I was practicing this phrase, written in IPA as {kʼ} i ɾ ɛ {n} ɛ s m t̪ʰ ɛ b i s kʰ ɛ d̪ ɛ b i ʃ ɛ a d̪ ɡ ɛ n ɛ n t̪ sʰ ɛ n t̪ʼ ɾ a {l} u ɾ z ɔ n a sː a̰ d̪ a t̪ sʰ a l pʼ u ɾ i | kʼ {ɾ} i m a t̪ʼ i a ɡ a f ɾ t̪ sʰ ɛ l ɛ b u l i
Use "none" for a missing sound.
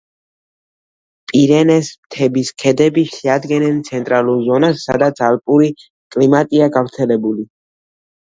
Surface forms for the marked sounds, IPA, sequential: pʼ, n, l, l

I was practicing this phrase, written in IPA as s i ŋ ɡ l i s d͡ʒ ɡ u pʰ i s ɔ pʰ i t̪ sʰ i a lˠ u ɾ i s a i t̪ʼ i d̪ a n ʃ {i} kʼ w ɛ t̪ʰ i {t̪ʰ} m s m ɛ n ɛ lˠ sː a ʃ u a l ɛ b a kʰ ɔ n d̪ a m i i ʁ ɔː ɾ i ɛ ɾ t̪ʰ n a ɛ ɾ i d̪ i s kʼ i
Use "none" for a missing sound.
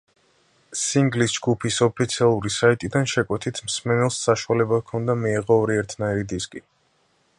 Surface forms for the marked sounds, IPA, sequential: ɛ, t̪ʰ

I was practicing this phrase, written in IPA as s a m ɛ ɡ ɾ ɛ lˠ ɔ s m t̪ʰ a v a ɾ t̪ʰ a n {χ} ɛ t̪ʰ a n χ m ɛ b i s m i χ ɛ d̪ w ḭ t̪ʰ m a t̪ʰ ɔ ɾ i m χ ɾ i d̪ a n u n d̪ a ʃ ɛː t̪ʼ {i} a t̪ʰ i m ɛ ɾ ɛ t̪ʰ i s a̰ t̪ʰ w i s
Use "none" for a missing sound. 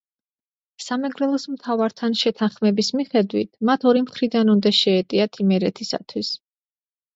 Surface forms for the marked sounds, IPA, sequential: ʃ, i

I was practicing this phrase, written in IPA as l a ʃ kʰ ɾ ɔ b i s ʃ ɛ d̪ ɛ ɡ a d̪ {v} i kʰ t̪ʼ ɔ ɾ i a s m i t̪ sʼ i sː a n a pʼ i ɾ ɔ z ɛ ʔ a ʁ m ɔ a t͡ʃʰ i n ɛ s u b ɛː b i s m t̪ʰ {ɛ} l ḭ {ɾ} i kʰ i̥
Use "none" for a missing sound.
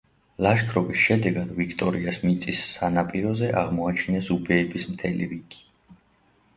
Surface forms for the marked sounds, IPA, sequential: v, ɛ, ɾ

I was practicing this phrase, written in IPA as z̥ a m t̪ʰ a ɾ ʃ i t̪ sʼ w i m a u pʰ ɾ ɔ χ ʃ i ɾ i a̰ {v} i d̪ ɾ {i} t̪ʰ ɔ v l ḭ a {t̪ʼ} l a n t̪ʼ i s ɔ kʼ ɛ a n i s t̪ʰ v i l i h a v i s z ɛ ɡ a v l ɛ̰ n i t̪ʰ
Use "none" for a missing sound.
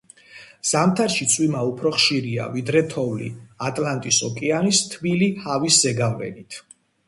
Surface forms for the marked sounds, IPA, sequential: v, ɛ, t̪ʼ

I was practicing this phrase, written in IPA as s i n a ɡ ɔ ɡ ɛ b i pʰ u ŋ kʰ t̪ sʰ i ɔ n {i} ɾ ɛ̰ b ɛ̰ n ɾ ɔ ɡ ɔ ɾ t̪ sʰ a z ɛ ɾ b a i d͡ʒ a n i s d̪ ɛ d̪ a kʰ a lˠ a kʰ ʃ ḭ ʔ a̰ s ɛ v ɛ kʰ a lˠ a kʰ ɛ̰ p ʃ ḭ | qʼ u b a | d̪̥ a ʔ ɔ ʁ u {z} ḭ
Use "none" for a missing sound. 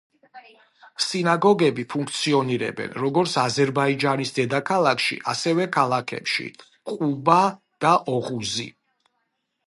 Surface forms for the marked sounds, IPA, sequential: i, z

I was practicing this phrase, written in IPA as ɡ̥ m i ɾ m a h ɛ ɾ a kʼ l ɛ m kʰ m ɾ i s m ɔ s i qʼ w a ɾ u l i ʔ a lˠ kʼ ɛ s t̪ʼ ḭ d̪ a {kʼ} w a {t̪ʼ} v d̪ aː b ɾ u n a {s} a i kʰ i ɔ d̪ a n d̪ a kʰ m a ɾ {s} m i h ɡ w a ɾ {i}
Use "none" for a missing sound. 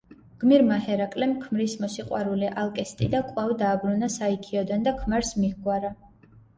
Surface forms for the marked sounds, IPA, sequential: kʼ, none, s, s, a

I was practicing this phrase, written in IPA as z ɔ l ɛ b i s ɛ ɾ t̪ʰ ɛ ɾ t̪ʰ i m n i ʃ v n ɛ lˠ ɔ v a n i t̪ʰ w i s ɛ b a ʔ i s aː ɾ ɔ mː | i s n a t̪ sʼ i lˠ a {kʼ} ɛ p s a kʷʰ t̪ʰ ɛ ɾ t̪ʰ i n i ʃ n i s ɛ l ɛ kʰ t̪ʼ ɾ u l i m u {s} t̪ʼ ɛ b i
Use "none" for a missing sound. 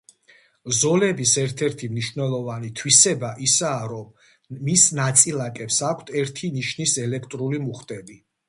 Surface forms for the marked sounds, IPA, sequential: kʼ, χ

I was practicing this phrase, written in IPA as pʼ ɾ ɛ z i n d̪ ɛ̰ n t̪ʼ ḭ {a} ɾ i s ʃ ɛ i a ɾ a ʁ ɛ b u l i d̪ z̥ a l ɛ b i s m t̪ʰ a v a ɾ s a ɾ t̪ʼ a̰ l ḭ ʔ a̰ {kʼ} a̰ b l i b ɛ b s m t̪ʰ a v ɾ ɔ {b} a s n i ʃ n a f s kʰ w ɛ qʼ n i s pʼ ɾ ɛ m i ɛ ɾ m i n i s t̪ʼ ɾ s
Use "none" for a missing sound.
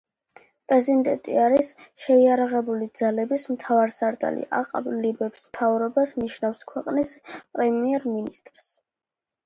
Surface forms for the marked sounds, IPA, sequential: a, qʼ, b

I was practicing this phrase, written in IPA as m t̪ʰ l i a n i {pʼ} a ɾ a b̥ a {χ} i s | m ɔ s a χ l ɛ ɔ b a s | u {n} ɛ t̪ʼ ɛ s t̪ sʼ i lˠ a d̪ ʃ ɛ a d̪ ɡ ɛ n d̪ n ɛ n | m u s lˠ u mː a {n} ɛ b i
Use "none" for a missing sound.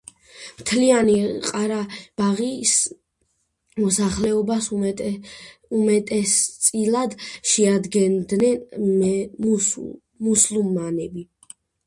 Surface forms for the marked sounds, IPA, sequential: qʼ, ʁ, m, n

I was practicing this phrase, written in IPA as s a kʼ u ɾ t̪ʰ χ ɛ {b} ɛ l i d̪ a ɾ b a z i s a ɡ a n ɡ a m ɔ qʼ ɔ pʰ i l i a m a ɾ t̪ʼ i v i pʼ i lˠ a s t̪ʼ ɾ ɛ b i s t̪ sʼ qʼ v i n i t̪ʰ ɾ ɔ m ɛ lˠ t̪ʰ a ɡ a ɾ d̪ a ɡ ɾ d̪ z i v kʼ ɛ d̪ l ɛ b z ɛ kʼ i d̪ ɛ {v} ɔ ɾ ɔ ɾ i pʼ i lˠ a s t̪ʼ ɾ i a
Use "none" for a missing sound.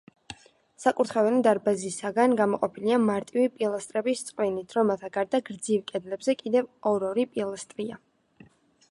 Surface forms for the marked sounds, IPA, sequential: v, v

